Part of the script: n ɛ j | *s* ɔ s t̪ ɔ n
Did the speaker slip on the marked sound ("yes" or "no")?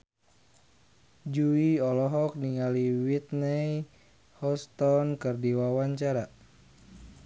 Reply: yes